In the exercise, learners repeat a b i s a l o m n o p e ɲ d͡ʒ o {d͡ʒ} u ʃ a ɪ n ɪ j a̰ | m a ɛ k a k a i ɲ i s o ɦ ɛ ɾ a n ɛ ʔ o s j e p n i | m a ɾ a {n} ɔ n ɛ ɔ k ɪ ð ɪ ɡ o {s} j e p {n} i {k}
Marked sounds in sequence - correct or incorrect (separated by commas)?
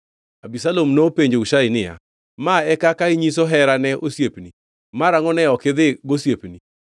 incorrect, incorrect, correct, correct, incorrect